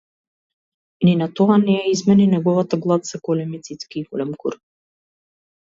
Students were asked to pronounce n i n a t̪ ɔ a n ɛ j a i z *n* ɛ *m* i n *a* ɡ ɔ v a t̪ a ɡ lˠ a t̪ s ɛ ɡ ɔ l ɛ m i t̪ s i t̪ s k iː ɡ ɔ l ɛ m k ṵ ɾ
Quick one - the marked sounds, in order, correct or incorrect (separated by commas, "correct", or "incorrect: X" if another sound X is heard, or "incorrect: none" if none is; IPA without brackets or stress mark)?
incorrect: m, incorrect: n, incorrect: ɛ